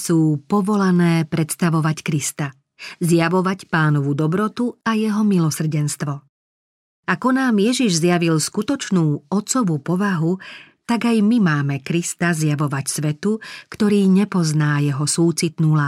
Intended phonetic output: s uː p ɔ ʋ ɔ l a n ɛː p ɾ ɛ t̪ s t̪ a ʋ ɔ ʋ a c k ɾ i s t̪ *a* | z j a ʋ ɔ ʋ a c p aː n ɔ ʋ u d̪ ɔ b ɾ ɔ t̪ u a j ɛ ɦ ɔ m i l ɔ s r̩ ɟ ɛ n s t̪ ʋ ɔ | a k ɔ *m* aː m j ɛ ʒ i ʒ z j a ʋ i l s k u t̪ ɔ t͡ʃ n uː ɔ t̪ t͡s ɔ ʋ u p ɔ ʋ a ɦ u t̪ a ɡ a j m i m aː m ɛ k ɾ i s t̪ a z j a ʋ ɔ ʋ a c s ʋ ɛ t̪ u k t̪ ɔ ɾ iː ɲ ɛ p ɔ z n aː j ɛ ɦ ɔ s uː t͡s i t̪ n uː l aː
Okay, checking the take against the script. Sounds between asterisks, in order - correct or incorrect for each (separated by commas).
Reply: correct, incorrect